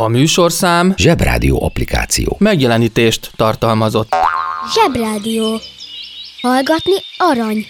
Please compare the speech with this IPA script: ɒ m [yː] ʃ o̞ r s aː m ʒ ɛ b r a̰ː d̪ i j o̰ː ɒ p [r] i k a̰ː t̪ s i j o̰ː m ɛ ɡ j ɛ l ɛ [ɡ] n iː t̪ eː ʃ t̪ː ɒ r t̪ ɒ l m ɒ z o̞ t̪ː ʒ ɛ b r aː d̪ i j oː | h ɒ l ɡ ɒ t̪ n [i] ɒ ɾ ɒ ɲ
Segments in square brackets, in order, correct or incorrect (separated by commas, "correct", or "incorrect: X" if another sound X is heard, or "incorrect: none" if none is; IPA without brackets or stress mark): correct, incorrect: l, incorrect: none, correct